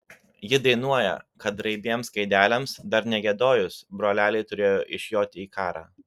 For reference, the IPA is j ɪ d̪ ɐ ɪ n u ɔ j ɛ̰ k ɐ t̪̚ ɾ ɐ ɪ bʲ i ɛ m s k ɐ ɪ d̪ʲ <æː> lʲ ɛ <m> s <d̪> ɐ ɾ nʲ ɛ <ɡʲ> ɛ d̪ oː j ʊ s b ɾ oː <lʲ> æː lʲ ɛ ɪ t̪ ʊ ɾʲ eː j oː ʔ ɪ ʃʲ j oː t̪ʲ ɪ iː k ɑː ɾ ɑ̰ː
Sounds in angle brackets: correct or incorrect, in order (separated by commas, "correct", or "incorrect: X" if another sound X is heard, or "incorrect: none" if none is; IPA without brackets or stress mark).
correct, correct, correct, correct, correct